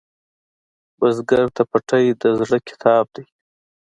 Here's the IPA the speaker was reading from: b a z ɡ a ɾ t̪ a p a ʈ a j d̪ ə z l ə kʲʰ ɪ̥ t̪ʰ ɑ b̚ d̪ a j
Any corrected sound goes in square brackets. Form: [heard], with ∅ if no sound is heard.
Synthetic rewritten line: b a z ɡ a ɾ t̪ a p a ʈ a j d̪ ə z [ɽ] ə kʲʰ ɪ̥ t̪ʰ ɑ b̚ d̪ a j